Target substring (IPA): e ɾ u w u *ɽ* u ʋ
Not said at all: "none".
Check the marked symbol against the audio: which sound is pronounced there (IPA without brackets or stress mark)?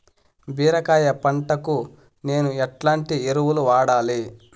l